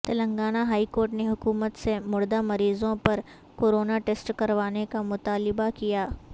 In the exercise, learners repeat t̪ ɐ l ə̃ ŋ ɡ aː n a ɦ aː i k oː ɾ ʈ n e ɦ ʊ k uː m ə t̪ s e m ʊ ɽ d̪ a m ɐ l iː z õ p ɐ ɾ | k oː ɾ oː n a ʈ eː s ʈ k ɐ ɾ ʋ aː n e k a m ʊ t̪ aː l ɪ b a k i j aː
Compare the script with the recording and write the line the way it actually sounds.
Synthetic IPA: t̪ ɐ l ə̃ ŋ ɡ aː n a ɦ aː i k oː ɾ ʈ n e ɦ ʊ k uː m ə t̪ s e m ʊ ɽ d̪ a m ɐ ɾ iː z õ p ɐ ɾ | k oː ɾ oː n a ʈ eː s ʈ k ɐ ɾ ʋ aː n e k a m ʊ t̪ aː l ɪ b a k i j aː